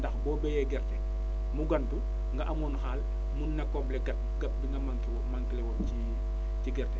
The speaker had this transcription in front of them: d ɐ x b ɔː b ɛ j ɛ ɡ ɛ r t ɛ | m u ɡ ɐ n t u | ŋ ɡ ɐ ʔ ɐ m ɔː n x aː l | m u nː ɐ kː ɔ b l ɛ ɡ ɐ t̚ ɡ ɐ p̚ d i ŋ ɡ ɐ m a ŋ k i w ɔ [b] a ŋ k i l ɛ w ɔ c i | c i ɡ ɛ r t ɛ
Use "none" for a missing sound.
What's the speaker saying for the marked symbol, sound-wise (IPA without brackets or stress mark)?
m